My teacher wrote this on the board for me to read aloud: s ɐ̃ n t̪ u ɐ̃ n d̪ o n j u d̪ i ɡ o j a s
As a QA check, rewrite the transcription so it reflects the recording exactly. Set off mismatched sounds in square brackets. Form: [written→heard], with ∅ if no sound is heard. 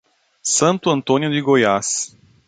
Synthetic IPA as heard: s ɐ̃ n t̪ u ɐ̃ n [d̪→t̪] o n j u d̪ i ɡ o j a s